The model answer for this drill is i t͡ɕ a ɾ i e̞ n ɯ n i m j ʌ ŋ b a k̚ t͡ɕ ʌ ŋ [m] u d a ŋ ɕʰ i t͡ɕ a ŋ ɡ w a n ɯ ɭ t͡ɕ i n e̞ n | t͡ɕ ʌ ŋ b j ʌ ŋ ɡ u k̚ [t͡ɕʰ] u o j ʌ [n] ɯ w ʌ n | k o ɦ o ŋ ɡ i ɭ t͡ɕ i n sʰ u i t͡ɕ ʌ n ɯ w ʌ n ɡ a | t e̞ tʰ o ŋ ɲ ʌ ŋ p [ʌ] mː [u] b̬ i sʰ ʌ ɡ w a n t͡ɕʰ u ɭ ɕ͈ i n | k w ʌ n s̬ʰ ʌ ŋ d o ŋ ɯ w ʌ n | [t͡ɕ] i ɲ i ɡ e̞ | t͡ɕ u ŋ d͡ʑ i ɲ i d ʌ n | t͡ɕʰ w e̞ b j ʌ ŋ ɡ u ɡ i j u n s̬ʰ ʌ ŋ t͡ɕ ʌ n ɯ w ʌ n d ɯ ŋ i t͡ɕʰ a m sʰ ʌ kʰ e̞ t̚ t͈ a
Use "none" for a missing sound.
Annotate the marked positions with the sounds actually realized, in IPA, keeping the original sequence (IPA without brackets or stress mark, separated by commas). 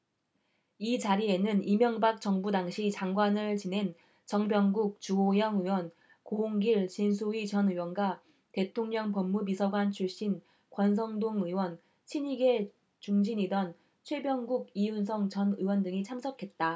b, t͡ɕ, ŋ, ʌ, u, t͡ɕʰ